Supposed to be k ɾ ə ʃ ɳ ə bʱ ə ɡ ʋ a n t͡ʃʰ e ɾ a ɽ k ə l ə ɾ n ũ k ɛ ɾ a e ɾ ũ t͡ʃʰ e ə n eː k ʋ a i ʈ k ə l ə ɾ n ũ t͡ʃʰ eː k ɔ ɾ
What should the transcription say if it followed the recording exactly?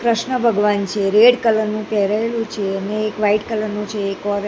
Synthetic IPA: k ɾ ə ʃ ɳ ə bʱ ə ɡ ʋ a n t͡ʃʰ e ɾ e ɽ k ə l ə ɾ n ũ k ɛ ɾ a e l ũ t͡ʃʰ e ə n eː k ʋ a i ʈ k ə l ə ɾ n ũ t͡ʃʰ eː k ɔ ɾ